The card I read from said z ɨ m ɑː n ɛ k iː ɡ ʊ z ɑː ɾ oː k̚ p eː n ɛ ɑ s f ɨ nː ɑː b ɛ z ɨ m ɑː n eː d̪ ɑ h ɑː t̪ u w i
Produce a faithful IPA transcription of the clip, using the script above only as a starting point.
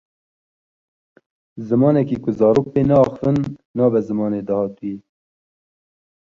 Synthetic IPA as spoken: z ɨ m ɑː n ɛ k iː k ʊ z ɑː ɾ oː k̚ p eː n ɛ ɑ x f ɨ nː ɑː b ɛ z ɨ m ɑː n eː d̪ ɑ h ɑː t̪ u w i